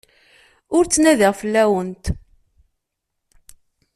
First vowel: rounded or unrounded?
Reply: rounded